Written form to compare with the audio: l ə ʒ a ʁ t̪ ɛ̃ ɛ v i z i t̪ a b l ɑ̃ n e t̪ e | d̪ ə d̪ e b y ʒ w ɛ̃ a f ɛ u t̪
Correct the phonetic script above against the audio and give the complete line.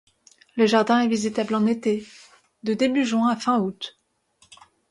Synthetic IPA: l ə ʒ a ʁ d̪ ɛ̃ ɛ v i z i t̪ a b l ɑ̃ n e t̪ e | d̪ ə d̪ e b y ʒ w ɛ̃ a f ɛ̃ u t̪